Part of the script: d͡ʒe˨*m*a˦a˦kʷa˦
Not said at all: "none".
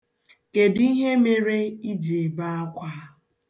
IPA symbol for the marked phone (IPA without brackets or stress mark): b